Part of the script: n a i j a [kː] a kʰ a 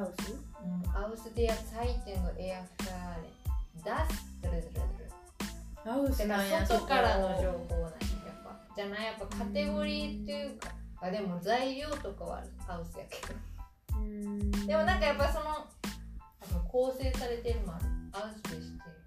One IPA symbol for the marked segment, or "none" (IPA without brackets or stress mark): pː